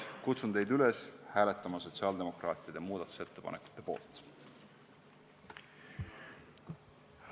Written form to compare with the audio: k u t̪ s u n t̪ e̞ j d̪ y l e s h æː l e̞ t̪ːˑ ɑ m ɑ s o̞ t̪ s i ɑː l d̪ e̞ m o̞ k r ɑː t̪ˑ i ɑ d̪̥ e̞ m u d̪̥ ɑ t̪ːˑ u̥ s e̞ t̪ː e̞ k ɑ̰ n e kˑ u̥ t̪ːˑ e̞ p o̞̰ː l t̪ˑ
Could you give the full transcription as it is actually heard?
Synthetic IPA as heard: k u t̪ s u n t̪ e̞ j d̪ y l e s h æː l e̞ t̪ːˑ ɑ m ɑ s o̞ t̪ s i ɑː l d̪ e̞ m o̞ k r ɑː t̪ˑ i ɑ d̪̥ e̞ m uː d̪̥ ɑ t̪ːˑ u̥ s e̞ t̪ː e̞ p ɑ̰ n e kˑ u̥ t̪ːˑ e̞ p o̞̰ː l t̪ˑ